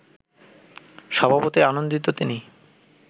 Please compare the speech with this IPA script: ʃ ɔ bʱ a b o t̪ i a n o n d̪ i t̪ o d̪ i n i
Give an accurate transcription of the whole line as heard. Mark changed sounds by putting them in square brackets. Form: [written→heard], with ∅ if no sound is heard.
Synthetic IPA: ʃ ɔ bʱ a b o t̪ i a n o n d̪ i t̪ o [d̪→t̪] i n i